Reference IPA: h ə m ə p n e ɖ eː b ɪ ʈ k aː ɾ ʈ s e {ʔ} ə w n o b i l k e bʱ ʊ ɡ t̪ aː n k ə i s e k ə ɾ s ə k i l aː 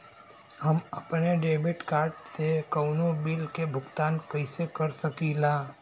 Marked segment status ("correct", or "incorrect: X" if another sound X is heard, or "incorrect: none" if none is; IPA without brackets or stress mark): incorrect: k